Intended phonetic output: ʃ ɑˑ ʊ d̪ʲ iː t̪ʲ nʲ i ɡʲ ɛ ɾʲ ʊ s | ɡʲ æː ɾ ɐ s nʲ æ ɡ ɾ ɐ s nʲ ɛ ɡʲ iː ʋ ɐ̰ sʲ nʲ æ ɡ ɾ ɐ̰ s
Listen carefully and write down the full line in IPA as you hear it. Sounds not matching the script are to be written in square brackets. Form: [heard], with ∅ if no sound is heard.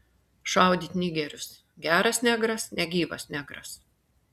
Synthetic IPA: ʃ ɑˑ ʊ d̪ʲ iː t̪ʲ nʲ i ɡʲ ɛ ɾʲ ʊ s | ɡʲ æː ɾ ɐ s nʲ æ ɡ ɾ ɐ s nʲ ɛ ɡʲ iː ʋ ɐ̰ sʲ nʲ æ ɡ ɾ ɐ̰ s